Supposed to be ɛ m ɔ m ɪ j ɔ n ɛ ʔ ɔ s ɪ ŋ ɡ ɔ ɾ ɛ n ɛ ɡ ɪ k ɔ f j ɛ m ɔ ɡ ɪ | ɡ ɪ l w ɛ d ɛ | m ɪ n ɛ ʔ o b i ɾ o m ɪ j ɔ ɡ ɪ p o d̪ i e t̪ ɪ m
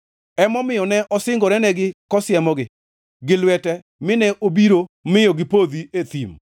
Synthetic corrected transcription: ɛ m ɔ m ɪ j ɔ n ɛ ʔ ɔ s ɪ ŋ ɡ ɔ ɾ ɛ n ɛ ɡ ɪ k ɔ s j ɛ m ɔ ɡ ɪ | ɡ ɪ l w ɛ t ɛ | m ɪ n ɛ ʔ o b i ɾ o m ɪ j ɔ ɡ ɪ p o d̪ i e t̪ i m

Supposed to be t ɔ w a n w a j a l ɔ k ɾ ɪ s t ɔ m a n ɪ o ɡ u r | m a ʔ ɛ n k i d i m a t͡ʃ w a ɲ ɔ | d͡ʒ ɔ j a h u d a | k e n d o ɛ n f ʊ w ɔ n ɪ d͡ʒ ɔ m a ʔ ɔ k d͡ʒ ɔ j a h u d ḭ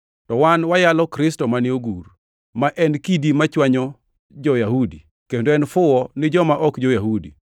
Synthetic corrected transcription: t ɔ w a n w a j a l ɔ k ɾ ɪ s t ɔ m a n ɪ o ɡ u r | m a ʔ ɛ n k i d i m a t͡ʃ w a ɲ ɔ | d͡ʒ ɔ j a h u d i | k e n d o ɛ n f ʊ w ɔ n ɪ d͡ʒ ɔ m a ʔ ɔ k d͡ʒ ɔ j a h u d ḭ

